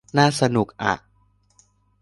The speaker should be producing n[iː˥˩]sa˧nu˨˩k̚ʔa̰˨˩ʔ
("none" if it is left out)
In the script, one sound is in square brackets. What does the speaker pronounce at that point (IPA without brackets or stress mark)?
aː˥˩